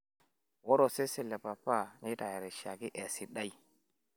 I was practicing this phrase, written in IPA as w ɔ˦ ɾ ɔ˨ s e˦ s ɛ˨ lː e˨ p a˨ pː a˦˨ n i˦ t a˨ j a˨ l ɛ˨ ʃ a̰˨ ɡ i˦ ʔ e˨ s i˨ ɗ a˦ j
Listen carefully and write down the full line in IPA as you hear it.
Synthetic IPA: w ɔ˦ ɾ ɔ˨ s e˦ s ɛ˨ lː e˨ p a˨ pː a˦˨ n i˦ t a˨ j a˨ ɾ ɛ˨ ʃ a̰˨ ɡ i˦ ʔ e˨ s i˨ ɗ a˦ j